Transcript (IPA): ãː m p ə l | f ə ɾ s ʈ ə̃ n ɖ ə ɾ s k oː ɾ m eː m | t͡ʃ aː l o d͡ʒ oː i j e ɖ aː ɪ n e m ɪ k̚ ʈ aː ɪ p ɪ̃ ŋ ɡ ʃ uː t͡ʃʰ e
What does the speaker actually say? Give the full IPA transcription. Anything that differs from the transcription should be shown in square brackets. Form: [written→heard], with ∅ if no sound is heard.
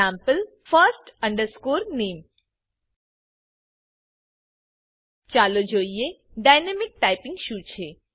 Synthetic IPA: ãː m p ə l | f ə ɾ s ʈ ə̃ [n→ɳ] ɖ ə ɾ s k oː ɾ [m→n] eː m | t͡ʃ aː l o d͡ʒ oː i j e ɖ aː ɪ n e m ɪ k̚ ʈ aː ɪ p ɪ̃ ŋ ɡ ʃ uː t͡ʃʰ e